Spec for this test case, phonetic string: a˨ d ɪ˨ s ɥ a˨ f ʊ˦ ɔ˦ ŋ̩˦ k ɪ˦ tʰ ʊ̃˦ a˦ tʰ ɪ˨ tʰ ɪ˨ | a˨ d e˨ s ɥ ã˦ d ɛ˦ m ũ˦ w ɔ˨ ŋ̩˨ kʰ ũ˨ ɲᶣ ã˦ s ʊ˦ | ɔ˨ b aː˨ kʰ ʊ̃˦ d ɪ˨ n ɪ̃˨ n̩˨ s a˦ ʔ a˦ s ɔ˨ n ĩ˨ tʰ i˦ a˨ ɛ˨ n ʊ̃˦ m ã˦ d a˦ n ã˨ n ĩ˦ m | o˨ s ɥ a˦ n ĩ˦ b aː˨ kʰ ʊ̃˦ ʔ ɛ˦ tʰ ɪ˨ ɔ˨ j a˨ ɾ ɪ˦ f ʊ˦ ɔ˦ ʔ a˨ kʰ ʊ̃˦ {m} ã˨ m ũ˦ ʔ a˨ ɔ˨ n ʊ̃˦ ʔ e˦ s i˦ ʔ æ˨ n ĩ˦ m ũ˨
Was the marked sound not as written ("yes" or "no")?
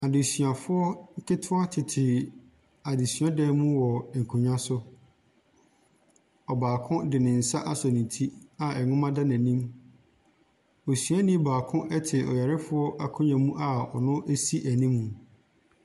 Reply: yes